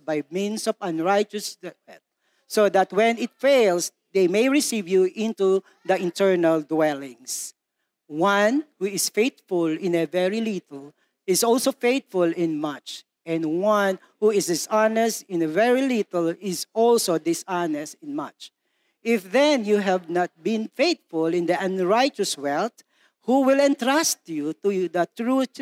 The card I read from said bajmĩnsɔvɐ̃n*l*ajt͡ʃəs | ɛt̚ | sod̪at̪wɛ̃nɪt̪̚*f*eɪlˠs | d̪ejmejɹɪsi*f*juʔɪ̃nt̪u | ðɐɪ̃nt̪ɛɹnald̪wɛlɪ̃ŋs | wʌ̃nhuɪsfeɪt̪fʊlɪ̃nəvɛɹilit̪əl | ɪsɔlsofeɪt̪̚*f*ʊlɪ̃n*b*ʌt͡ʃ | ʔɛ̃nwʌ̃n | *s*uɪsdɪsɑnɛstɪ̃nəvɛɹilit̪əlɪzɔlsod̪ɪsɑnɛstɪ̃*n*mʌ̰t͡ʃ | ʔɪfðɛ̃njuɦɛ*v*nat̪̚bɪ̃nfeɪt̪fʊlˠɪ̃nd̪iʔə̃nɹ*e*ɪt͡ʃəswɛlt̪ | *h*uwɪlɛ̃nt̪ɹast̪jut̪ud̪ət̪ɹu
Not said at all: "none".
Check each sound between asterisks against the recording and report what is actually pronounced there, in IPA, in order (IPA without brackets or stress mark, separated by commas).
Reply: ɹ, f, v, f, m, h, n, v, a, h